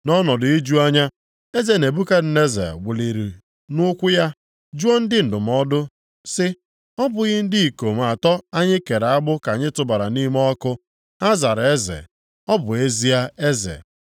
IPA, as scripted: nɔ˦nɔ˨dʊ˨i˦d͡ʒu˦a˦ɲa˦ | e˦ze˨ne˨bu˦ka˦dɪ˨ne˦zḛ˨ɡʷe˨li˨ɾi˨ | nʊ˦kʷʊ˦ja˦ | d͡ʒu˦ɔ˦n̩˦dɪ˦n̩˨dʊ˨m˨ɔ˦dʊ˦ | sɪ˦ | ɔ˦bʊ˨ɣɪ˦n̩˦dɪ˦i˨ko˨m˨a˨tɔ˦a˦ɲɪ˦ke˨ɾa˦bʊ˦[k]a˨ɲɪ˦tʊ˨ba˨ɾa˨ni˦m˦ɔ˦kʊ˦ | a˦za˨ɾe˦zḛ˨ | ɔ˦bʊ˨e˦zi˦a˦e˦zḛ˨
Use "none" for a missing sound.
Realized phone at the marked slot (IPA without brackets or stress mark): k